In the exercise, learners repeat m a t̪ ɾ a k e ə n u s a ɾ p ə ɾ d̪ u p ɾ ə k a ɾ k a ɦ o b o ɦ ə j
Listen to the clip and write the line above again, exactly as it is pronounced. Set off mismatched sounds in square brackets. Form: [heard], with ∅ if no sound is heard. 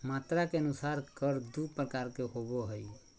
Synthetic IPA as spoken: m a t̪ ɾ a k e ə n u s a ɾ [k] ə ɾ d̪ u p ɾ ə k a ɾ k [e] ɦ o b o ɦ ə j